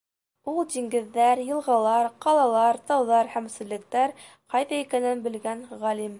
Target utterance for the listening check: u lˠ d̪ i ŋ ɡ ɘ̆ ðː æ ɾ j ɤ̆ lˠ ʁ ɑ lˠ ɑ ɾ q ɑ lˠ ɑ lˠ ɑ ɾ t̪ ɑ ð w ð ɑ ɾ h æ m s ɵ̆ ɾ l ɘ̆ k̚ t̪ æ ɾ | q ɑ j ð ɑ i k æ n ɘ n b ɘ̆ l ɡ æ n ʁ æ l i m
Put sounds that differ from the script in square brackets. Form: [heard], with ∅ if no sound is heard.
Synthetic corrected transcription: u lˠ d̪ i ŋ ɡ ɘ̆ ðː æ ɾ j ɤ̆ lˠ ʁ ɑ lˠ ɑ ɾ q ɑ lˠ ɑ lˠ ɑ ɾ t̪ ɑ [∅] w ð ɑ ɾ h æ m s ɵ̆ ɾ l ɘ̆ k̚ t̪ æ ɾ | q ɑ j ð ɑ i k æ n ɘ n b ɘ̆ l ɡ æ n ʁ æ l i m

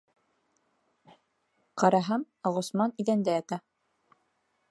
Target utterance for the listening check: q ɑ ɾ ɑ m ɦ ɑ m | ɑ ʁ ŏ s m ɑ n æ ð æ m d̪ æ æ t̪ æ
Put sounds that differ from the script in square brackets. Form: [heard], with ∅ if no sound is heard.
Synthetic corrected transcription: q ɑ ɾ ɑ [∅] ɦ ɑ m | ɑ ʁ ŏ s m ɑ n [i] ð æ [n] d̪ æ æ t̪ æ

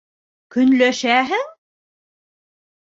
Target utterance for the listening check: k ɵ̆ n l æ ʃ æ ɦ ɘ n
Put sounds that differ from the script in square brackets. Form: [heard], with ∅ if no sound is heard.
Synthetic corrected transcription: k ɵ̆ n l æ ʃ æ ɦ ɘ [ŋ]

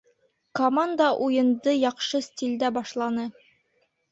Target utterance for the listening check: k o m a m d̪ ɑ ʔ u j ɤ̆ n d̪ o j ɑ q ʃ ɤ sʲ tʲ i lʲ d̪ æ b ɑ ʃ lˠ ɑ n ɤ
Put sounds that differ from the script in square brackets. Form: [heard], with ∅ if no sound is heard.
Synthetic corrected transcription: k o m a [n] d̪ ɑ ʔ u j ɤ̆ n d̪ [ɤ] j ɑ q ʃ ɤ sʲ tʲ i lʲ d̪ æ b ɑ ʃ lˠ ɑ n ɤ

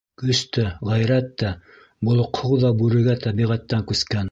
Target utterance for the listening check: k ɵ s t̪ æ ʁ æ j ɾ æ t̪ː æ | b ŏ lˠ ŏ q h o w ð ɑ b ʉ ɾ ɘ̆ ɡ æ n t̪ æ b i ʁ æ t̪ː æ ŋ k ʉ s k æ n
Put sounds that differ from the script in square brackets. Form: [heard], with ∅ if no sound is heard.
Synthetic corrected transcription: k ɵ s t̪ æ ʁ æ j ɾ æ t̪ː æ | b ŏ lˠ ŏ q h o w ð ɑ b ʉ ɾ ɘ̆ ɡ æ [∅] t̪ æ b i ʁ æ t̪ː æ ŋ k ʉ s k æ n

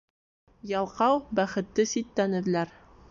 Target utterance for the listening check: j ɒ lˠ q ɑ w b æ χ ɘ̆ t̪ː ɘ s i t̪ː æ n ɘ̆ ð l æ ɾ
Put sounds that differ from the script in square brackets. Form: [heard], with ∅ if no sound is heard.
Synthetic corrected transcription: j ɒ lˠ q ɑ w b æ χ ɘ̆ t̪ː ɘ s i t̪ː æ n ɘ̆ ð l æ ɾ

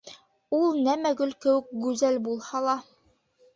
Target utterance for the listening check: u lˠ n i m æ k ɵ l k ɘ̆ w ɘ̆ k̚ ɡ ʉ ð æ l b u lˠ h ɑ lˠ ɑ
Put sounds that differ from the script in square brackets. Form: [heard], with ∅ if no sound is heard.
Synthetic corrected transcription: u lˠ n [æ] m æ [ɡ] ɵ l k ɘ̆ w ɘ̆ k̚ ɡ ʉ [z] æ l b u lˠ h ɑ lˠ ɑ

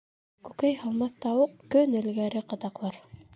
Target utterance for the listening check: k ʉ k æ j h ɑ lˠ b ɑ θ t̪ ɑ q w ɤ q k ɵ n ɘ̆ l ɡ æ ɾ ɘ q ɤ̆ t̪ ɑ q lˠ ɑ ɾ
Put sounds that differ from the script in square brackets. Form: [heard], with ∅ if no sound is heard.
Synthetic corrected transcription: k ʉ k æ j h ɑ lˠ [m] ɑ θ t̪ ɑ [∅] w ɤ q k ɵ n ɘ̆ l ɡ æ ɾ ɘ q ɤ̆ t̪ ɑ q lˠ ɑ ɾ

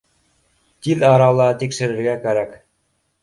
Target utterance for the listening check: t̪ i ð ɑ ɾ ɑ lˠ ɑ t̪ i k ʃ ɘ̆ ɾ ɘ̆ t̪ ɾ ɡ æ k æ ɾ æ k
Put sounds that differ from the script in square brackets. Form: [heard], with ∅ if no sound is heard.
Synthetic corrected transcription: t̪ i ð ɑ ɾ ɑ lˠ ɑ t̪ i k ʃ ɘ̆ ɾ ɘ̆ [∅] ɾ ɡ æ k æ ɾ æ k

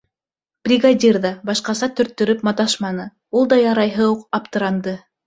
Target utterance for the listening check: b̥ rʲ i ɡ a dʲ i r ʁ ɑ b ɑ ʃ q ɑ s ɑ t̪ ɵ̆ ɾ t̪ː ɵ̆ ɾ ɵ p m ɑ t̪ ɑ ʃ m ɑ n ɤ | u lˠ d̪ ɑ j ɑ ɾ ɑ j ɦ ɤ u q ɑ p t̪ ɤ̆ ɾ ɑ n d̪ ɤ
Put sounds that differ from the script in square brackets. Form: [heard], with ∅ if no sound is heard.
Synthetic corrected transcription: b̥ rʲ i ɡ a dʲ i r [ð] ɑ b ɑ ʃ q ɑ s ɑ t̪ ɵ̆ ɾ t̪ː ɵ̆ ɾ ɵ p m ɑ t̪ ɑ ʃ m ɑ n ɤ | u lˠ d̪ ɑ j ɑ ɾ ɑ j ɦ ɤ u q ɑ p t̪ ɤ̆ ɾ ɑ n d̪ ɤ

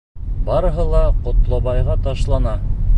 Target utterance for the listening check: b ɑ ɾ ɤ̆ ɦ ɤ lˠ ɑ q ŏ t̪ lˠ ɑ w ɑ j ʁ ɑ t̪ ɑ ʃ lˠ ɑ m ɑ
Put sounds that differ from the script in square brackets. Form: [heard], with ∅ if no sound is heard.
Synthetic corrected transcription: b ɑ ɾ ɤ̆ ɦ ɤ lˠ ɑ q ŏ t̪ lˠ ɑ [β] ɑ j ʁ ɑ t̪ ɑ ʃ lˠ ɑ [n] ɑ

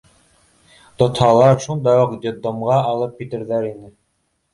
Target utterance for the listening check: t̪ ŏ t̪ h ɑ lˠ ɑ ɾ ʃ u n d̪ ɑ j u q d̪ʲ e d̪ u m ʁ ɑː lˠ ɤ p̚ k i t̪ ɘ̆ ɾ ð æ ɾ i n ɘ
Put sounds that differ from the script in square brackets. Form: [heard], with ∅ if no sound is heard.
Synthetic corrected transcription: t̪ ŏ t̪ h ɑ lˠ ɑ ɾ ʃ u n d̪ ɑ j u q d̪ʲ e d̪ [o] m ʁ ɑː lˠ ɤ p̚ k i t̪ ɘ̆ ɾ ð æ ɾ i n ɘ

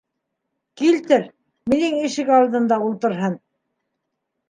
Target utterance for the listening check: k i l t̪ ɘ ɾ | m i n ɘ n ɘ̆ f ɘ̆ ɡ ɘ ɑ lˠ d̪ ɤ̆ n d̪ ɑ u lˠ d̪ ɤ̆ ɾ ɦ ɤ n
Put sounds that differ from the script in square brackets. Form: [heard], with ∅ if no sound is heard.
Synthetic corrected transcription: k i l t̪ ɘ ɾ | m i n ɘ [ŋ] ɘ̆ [ʃ] ɘ̆ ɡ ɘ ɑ lˠ d̪ ɤ̆ n d̪ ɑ u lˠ [t̪] ɤ̆ ɾ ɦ ɤ n

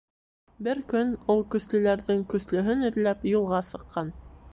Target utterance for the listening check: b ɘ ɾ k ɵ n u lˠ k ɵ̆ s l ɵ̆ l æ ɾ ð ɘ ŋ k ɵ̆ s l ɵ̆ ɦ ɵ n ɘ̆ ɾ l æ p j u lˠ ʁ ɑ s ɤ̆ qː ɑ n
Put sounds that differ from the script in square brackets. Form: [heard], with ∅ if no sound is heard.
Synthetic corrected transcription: b ɘ ɾ k ɵ n u lˠ k ɵ̆ s l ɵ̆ l æ ɾ ð ɘ ŋ k ɵ̆ s l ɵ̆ ɦ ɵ n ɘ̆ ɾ l æ p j u lˠ ʁ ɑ s ɤ̆ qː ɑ n

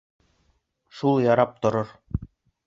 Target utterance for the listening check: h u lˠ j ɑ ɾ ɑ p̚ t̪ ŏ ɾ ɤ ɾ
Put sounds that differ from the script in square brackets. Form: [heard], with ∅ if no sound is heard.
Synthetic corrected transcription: [ʃ] u lˠ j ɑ ɾ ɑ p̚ t̪ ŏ ɾ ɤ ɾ

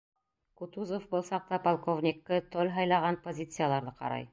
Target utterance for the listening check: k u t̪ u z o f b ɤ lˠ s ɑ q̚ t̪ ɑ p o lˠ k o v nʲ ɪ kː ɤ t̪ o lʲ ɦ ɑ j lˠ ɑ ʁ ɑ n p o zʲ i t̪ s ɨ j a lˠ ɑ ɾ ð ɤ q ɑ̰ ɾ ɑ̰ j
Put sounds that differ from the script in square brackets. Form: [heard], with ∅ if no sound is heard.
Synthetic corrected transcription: k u t̪ u z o f b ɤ lˠ s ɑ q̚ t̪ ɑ p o lˠ k o v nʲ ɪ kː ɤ t̪ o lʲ ɦ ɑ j lˠ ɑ ʁ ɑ n p o zʲ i t̪ s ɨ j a lˠ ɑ ɾ ð ɤ q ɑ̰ ɾ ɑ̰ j

